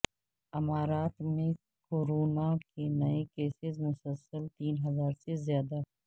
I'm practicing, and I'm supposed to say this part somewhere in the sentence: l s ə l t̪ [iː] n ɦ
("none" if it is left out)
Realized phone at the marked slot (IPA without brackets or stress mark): iː